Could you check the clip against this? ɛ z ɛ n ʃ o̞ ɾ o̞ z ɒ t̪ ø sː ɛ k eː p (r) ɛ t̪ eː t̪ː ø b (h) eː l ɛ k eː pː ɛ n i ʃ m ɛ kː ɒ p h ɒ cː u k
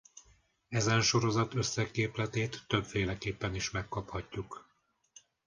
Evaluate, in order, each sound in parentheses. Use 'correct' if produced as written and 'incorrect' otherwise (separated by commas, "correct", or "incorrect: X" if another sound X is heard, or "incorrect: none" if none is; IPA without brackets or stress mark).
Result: incorrect: l, incorrect: f